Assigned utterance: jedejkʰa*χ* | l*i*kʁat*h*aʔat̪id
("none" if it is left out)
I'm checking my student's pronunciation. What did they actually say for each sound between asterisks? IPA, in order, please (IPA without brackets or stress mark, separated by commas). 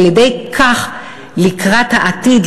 χ, i, h